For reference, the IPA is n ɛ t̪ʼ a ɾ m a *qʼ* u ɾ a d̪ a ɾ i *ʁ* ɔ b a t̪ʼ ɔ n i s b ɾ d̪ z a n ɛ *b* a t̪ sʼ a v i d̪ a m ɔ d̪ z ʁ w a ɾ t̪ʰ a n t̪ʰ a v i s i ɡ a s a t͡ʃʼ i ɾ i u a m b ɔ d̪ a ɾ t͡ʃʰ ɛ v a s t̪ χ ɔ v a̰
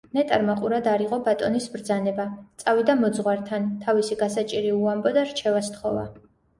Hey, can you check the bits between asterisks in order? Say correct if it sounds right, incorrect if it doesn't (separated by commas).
correct, correct, correct